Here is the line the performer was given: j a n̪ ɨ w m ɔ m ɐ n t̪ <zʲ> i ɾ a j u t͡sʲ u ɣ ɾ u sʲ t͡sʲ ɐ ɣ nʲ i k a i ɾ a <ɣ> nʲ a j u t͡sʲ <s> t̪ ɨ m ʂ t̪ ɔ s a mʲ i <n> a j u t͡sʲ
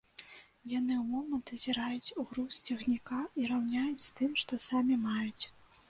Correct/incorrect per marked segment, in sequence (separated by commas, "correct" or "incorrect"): correct, incorrect, correct, incorrect